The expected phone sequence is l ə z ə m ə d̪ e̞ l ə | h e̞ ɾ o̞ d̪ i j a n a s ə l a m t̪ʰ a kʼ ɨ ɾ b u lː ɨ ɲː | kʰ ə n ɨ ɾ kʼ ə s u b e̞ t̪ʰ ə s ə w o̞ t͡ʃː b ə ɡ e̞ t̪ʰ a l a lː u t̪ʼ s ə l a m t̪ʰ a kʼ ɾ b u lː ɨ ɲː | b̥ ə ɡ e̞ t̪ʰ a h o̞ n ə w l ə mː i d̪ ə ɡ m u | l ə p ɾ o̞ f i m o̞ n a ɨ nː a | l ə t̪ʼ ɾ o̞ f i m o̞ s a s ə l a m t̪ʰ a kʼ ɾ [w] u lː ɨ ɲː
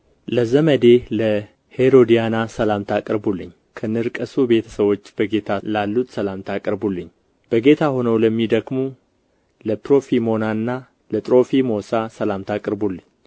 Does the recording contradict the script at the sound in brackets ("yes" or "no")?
yes